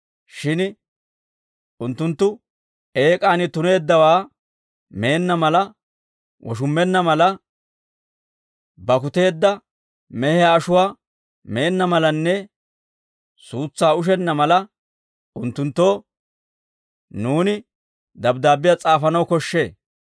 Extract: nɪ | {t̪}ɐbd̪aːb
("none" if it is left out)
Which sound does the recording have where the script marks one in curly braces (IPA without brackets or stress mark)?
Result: d̪